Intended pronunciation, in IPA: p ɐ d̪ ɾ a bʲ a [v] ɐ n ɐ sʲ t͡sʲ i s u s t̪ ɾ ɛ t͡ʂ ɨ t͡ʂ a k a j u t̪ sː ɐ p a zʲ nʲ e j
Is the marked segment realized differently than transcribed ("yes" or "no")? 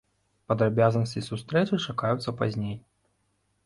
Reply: yes